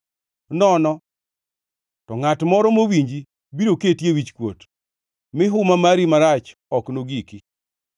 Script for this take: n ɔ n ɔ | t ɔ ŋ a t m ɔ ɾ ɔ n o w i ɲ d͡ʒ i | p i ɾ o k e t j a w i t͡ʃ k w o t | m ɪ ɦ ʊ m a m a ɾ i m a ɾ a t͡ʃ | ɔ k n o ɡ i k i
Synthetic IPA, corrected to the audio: n ɔ n ɔ | t ɔ ŋ a t m ɔ ɾ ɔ m o w i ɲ d͡ʒ i | b i ɾ o k e t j e w i t͡ʃ k w o t | m ɪ ɦ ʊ m a m a ɾ i m a ɾ a t͡ʃ | ɔ k n o ɡ i k i